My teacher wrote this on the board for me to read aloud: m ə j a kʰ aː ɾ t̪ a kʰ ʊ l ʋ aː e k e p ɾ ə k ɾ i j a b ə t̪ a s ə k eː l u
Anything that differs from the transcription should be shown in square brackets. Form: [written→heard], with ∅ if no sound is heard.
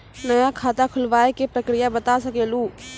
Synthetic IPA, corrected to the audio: [m→n] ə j a kʰ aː [ɾ→∅] t̪ a kʰ ʊ l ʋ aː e k e p ɾ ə k ɾ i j a b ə t̪ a s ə k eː l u